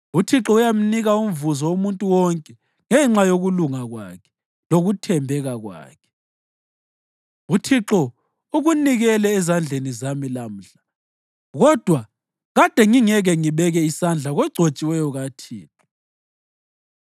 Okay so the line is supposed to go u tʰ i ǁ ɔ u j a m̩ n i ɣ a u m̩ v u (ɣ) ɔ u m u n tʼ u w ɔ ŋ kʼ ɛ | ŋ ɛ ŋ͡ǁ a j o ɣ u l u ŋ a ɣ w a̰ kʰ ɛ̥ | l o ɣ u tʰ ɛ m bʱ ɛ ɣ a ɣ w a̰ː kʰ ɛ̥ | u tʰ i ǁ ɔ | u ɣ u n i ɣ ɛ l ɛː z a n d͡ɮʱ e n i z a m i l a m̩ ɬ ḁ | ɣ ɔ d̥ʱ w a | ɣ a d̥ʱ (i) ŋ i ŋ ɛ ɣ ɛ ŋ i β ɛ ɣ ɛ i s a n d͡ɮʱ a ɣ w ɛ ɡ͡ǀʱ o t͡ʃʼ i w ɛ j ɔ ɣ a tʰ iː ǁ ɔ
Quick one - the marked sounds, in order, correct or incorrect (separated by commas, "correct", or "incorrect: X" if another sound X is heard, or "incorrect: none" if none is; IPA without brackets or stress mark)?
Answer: incorrect: z, incorrect: ɛ